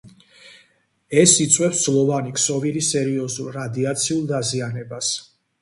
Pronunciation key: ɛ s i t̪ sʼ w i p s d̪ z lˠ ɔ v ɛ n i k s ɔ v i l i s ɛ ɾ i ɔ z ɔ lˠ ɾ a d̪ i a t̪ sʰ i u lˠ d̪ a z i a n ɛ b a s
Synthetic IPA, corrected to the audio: ɛ s i t̪ sʼ w ɛ p s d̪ z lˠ ɔ v a n i k s ɔ v i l i s ɛ ɾ i ɔ z u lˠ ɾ a d̪ i a t̪ sʰ i u lˠ d̪ a z i a n ɛ b a s

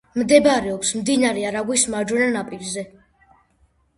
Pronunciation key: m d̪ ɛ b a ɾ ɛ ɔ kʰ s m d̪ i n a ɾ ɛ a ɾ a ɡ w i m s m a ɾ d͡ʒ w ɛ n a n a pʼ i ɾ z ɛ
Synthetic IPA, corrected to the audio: m d̪ ɛ b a ɾ ɛ ɔ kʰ s m d̪ i n a ɾ ɛ a ɾ a ɡ w i s m a ɾ d͡ʒ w ɛ n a n a pʼ i ɾ z ɛ

